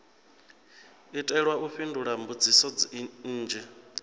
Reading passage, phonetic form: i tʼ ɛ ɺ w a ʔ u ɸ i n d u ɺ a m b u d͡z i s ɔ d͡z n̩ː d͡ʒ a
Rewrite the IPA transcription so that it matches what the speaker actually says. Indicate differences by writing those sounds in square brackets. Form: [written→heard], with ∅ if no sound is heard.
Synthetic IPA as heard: i tʼ ɛ ɺ w a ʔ u ɸ i n d u ɺ a m b u d͡z i s ɔ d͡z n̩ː d͡ʒ [a→ɛ]